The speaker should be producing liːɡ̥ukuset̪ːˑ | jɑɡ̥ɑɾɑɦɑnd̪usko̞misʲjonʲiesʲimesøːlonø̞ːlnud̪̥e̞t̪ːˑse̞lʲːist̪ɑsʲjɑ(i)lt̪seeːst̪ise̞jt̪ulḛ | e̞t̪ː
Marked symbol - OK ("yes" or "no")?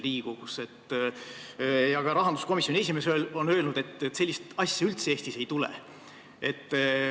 no